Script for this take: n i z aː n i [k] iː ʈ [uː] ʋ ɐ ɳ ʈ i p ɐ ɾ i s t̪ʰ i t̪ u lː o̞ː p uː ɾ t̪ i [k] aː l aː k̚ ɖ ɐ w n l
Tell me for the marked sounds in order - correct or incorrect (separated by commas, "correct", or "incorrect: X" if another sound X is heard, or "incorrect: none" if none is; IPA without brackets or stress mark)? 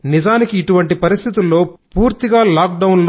correct, incorrect: u, incorrect: ɡ